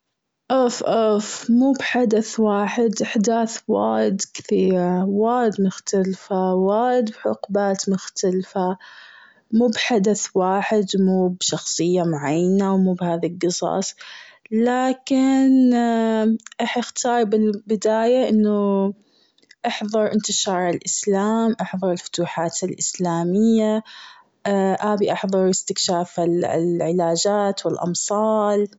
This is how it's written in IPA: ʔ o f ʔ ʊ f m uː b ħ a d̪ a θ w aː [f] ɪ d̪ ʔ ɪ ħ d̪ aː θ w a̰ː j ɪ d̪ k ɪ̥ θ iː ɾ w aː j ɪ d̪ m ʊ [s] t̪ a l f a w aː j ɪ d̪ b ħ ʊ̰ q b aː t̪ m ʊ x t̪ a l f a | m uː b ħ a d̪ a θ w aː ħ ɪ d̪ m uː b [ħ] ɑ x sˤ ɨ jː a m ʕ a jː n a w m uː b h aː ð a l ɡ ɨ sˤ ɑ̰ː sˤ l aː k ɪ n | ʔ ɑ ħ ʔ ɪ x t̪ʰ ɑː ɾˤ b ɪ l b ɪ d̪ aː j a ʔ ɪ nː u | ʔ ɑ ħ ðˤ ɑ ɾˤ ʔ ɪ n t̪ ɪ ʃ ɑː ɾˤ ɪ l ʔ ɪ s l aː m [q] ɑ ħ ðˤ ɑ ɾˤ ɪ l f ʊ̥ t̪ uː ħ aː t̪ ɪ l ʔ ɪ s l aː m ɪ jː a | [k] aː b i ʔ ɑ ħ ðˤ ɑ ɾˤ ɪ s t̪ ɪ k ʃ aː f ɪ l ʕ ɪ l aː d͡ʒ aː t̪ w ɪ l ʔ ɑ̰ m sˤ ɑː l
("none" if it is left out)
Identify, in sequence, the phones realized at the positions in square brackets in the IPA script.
ħ, x, ʃ, ʔ, ʔ

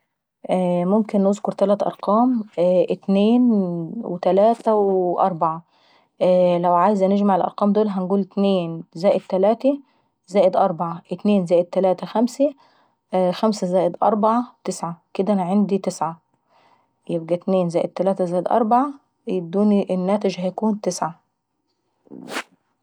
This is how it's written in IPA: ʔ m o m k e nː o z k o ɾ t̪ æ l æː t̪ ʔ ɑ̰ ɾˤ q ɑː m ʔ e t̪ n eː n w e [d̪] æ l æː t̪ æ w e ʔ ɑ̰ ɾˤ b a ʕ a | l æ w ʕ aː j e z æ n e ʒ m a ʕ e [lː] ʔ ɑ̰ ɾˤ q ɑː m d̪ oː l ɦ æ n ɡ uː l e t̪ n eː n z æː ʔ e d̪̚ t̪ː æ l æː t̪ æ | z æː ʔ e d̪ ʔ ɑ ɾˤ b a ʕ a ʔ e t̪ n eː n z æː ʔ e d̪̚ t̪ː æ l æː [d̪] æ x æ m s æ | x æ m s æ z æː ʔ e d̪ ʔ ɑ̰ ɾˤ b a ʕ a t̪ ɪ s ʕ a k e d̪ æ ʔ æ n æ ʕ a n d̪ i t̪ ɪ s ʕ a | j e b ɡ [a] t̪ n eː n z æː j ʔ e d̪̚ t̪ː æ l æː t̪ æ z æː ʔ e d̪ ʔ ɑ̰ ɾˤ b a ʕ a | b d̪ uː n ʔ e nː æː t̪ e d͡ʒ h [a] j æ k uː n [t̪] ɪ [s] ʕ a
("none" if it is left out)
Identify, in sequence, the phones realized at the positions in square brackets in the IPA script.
t̪, l, t̪, æ, æ, t̪, s

